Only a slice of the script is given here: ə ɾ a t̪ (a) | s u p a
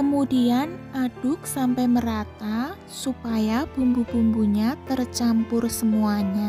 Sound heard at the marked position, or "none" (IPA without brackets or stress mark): a